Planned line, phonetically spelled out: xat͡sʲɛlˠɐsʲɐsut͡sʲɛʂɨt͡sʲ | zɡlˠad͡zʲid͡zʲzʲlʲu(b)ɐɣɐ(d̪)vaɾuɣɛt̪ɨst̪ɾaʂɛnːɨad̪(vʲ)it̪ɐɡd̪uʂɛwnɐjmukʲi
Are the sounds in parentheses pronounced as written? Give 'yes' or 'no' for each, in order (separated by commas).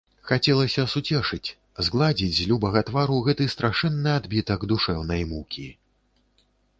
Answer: yes, no, no